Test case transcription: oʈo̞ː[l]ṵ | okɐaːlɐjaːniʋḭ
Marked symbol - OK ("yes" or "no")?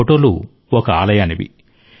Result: yes